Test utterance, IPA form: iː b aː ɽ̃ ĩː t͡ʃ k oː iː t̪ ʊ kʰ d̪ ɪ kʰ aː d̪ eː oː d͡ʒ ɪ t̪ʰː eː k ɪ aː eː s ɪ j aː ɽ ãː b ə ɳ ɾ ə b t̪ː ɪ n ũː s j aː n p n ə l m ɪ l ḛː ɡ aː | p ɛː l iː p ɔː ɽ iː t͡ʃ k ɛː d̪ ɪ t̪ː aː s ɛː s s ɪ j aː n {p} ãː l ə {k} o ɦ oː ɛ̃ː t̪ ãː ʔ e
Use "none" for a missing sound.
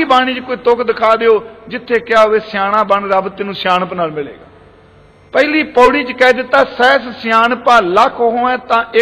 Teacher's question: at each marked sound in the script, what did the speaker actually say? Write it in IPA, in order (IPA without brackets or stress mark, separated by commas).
p, kʰ